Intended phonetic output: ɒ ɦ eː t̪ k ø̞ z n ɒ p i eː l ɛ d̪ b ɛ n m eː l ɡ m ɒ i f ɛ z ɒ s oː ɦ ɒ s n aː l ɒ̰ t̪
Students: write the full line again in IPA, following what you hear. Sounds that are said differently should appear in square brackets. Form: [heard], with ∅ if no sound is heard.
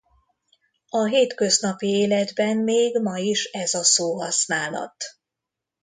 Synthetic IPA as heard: ɒ ɦ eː t̪ k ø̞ z n ɒ p i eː l ɛ d̪ b ɛ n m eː [∅] ɡ m ɒ i [ʃ] ɛ z ɒ s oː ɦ ɒ s n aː l ɒ̰ t̪